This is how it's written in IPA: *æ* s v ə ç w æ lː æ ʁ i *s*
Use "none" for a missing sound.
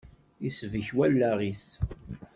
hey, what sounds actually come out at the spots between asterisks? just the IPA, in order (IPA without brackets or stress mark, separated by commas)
i, s